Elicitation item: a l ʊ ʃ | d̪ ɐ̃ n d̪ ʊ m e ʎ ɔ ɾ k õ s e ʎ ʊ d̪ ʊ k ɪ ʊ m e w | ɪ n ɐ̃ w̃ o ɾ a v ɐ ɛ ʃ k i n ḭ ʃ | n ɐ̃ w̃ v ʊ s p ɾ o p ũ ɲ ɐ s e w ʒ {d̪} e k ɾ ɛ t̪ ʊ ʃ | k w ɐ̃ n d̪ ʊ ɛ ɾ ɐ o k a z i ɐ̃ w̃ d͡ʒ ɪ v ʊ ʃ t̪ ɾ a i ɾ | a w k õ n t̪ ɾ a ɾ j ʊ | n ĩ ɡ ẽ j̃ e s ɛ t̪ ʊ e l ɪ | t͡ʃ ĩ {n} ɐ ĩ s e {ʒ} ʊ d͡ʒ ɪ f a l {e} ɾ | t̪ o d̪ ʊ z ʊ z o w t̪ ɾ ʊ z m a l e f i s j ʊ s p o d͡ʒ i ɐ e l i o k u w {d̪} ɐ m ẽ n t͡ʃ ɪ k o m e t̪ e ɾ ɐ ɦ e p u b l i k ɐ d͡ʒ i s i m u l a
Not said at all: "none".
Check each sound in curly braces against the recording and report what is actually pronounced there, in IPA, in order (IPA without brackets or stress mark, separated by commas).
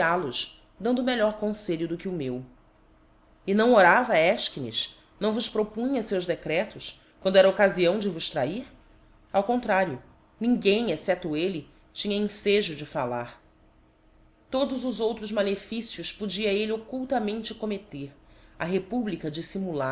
d̪, ɲ, ʒ, a, t̪